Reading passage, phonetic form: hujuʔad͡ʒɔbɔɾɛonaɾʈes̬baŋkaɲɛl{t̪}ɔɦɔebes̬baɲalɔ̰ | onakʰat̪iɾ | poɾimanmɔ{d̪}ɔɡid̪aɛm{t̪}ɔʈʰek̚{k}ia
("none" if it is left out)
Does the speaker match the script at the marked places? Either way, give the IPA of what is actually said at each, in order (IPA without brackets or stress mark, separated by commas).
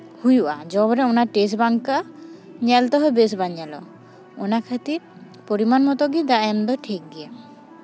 t̪, t̪, d̪, ɡ